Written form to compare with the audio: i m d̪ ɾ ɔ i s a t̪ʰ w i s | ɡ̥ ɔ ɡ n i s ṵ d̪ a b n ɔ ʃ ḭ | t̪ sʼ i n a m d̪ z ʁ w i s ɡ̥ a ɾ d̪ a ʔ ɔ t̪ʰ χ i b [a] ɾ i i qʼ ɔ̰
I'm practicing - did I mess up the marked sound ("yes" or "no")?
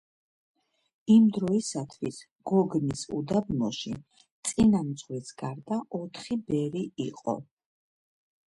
yes